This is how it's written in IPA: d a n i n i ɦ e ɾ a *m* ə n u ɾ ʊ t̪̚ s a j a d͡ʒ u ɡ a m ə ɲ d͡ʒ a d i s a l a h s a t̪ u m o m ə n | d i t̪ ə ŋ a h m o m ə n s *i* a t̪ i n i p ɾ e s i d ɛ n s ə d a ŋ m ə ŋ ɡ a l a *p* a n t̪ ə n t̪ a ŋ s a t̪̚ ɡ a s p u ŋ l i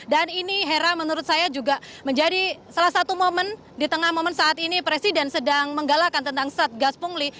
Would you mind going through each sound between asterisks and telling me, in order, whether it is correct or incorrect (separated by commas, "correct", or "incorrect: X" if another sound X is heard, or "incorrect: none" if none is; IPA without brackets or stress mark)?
correct, incorrect: a, incorrect: k